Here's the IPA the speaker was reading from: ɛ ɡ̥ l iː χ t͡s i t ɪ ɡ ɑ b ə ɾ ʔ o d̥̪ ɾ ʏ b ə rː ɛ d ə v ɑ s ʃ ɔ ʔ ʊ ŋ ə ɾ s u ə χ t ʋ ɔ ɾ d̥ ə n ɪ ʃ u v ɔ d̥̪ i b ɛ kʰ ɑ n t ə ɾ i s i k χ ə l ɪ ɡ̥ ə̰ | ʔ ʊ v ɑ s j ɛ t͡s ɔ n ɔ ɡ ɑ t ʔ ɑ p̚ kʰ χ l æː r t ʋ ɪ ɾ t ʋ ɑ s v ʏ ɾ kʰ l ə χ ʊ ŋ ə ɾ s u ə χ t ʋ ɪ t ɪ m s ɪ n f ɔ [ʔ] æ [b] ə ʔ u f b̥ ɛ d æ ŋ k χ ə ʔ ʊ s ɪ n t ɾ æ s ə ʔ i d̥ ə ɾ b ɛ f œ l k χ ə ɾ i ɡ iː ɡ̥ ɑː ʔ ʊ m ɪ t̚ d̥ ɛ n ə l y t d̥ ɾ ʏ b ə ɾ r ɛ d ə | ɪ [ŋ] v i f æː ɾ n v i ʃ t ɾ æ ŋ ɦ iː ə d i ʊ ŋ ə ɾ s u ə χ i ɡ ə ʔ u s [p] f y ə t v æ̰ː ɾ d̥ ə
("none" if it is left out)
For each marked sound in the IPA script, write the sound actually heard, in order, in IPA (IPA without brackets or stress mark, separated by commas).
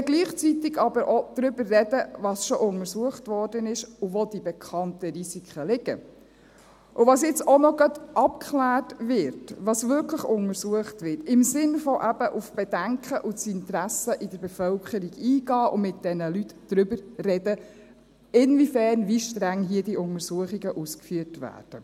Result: ʔ, b, n, k